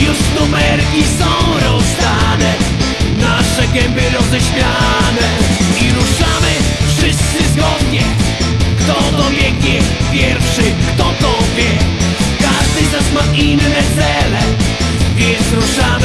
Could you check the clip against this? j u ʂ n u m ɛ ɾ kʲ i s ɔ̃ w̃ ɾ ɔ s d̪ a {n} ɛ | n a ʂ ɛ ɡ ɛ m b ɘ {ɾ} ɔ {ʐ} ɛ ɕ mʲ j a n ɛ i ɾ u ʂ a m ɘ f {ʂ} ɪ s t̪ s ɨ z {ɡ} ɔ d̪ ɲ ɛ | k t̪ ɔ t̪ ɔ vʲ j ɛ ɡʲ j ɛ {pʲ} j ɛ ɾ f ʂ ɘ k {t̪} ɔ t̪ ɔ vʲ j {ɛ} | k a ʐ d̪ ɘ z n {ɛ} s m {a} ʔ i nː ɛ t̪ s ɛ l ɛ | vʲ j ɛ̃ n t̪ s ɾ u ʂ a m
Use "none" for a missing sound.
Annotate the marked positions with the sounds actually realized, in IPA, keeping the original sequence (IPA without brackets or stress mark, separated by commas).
n, ɾ, z, ʂ, ɡ, pʲ, t̪, ɛ, a, a